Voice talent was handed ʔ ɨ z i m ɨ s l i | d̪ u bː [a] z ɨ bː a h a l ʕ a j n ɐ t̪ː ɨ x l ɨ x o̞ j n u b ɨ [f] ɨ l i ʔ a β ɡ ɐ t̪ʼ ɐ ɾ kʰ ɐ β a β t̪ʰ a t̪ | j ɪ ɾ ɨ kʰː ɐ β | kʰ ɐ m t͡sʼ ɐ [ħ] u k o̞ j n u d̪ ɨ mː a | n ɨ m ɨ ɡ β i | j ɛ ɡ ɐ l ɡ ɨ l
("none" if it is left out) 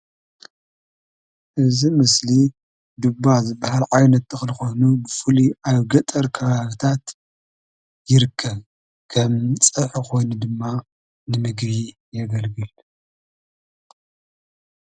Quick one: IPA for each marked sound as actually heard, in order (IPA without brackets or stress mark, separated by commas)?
a, f, ħ